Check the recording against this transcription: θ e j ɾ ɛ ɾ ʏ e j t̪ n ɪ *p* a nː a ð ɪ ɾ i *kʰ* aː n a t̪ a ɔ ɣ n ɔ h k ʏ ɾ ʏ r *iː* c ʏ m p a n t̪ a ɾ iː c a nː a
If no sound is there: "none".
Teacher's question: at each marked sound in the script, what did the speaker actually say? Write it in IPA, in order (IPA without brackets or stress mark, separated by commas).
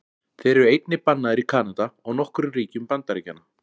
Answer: p, kʰ, iː